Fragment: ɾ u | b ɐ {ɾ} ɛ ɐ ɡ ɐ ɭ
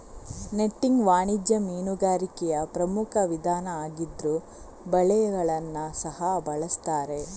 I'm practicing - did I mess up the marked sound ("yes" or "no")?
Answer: yes